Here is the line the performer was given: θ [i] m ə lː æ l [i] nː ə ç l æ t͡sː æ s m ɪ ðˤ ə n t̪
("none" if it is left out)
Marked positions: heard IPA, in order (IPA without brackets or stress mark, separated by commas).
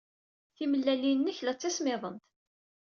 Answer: i, i